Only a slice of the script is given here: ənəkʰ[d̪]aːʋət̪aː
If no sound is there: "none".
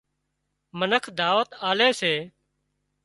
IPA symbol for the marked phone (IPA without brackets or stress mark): d̪